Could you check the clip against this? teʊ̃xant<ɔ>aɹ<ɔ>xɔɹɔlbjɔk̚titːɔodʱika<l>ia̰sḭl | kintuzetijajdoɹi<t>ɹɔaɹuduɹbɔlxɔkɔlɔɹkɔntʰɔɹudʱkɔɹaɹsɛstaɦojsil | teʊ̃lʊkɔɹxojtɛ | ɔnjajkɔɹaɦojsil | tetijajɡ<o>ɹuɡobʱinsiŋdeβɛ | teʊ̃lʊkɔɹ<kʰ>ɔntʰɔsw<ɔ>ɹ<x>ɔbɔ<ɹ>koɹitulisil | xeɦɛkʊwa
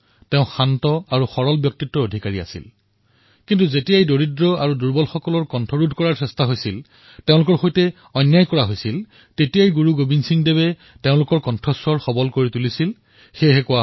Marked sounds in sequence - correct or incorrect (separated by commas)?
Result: correct, incorrect, incorrect, incorrect, incorrect, incorrect, correct, correct, incorrect